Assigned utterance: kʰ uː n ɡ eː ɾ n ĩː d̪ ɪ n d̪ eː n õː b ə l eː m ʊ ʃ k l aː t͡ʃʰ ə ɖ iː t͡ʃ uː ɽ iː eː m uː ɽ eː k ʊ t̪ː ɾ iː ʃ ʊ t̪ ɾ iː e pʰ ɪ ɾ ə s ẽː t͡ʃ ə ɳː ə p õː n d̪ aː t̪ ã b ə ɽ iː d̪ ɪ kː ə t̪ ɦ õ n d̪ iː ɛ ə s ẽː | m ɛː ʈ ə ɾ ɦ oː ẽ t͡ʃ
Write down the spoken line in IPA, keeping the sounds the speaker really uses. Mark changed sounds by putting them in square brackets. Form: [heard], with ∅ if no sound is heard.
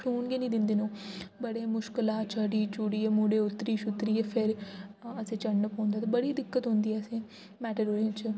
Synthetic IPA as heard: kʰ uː n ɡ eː [∅] n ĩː d̪ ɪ n d̪ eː n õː b ə [ɽ] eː m ʊ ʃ k l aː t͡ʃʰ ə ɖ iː t͡ʃ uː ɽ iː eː m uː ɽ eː [∅] ʊ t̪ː ɾ iː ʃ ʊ t̪ ɾ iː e pʰ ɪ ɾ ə s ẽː t͡ʃ ə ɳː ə p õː n d̪ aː t̪ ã b ə ɽ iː d̪ ɪ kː ə t̪ ɦ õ n d̪ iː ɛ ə s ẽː | m ɛː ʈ ə ɾ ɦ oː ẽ t͡ʃ

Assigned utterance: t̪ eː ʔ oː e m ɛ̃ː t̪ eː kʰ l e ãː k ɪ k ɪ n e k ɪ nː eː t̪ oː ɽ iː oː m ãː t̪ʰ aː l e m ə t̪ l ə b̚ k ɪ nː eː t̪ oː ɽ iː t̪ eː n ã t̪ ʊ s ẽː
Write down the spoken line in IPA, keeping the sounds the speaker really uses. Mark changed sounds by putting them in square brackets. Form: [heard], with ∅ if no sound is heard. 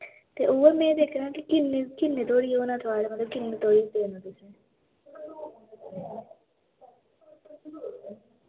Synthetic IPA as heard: t̪ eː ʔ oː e m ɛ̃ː [d̪] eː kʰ [ɾ] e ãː k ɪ k ɪ n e k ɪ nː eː t̪ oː ɽ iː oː [n] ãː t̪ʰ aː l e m ə t̪ l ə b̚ k ɪ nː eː t̪ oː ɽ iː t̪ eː n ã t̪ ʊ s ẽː

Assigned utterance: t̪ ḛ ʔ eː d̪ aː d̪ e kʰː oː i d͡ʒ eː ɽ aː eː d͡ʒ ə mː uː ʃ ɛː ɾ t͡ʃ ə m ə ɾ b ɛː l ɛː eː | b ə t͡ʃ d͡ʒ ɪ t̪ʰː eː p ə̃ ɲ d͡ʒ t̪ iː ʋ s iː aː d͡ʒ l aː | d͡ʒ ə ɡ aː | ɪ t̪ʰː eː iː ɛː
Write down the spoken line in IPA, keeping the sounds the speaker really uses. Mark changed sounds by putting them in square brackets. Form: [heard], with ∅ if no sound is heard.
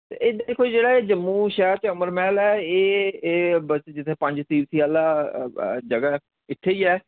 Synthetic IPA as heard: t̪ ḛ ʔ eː d̪ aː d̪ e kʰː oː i d͡ʒ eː ɽ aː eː d͡ʒ ə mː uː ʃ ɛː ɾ t͡ʃ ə m ə ɾ [m] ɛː l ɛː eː | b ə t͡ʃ d͡ʒ ɪ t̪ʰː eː p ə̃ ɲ d͡ʒ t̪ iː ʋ s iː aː [∅] l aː | d͡ʒ ə ɡ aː | ɪ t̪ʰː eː iː ɛː

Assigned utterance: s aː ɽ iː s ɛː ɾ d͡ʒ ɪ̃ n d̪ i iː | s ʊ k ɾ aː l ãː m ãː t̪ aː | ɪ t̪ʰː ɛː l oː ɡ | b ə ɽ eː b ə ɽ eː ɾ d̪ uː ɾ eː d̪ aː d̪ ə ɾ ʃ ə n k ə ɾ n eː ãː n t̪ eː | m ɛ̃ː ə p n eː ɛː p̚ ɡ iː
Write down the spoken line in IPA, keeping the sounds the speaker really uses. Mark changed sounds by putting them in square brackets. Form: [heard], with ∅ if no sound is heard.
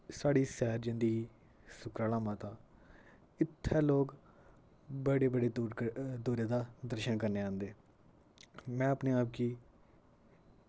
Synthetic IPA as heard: s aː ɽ iː s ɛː ɾ d͡ʒ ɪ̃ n d̪ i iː | s ʊ k ɾ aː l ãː m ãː t̪ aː | ɪ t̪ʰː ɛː l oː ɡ | b ə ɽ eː b ə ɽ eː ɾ d̪ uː ɾ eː d̪ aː d̪ ə ɾ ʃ ə n k ə ɾ n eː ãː n [d̪] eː | m ɛ̃ː ə p n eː [aː] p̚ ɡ iː

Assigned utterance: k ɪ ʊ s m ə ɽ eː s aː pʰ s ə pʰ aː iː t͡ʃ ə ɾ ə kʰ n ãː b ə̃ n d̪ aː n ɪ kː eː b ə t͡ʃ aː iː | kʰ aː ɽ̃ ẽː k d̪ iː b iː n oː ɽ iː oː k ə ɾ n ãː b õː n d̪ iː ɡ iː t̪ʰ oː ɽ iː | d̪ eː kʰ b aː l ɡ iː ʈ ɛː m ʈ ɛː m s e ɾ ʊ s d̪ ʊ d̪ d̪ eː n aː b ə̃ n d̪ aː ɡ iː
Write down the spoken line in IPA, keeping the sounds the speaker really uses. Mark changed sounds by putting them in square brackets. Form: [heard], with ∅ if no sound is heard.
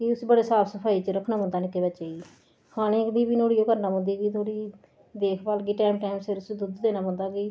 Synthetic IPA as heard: k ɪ ʊ s [b] ə ɽ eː s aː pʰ s ə pʰ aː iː t͡ʃ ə ɾ ə kʰ n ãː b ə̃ n d̪ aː n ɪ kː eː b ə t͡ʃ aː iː | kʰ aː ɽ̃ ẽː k d̪ iː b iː n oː ɽ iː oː k ə ɾ n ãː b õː n d̪ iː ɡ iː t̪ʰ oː ɽ iː | d̪ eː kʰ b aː l ɡ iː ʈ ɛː m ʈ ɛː m s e ɾ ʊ s d̪ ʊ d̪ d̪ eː n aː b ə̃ n d̪ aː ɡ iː

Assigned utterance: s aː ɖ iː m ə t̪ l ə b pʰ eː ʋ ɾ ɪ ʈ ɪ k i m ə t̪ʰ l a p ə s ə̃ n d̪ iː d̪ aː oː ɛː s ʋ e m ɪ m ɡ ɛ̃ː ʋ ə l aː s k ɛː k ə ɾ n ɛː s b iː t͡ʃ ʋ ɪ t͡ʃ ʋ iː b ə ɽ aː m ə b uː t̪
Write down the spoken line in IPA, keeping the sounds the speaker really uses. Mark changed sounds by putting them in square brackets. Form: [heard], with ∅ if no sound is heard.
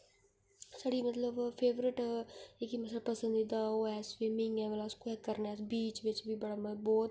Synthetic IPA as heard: s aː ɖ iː m ə t̪ l ə b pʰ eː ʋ ɾ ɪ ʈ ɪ k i m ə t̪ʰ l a p ə s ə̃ n d̪ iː d̪ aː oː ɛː s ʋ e m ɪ [ŋ] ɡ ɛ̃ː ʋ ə l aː s k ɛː k ə ɾ n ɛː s b iː t͡ʃ ʋ ɪ t͡ʃ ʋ iː b ə ɽ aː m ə b [ɔː] t̪

